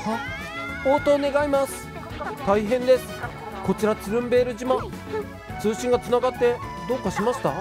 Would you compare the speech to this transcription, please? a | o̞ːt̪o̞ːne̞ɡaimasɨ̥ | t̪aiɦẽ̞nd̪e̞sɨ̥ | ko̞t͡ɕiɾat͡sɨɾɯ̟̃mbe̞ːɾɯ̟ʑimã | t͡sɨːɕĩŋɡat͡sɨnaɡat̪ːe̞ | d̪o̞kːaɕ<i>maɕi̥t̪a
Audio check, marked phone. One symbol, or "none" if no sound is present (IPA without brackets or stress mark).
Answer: i